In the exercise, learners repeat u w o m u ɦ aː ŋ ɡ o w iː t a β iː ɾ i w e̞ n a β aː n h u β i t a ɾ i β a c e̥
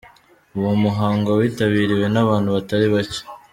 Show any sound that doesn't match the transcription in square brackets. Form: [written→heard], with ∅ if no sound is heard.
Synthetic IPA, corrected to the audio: u w o m u ɦ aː ŋ ɡ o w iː t a β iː ɾ i w e̞ n a β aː n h u β [i→a] t a ɾ i β a c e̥